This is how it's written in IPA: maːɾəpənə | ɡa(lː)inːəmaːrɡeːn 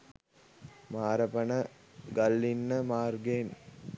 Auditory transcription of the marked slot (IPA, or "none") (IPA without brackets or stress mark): lː